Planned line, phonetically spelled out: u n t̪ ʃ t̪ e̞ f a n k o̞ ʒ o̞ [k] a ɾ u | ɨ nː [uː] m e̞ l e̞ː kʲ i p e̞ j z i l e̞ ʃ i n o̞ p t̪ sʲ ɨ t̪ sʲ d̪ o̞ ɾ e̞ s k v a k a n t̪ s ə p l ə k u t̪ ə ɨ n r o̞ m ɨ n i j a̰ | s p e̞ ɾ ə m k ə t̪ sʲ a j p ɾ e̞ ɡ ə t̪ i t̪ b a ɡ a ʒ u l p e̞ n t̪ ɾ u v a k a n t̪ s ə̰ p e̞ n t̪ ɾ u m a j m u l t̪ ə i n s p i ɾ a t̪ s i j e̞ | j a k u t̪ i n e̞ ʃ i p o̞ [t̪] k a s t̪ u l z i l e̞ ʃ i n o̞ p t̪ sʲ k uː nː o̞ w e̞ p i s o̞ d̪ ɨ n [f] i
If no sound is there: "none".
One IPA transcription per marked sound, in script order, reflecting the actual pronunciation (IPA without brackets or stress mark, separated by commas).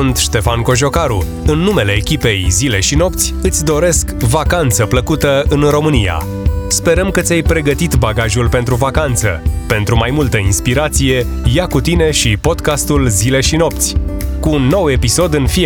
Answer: k, u, d̪, f